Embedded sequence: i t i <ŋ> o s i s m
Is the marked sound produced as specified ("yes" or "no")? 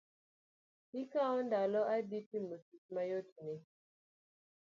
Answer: no